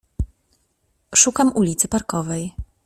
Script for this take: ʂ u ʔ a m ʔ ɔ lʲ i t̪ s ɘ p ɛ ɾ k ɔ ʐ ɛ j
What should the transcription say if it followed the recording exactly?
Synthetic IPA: ʂ u k a m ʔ u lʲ i t̪ s ɘ p a ɾ k ɔ v ɛ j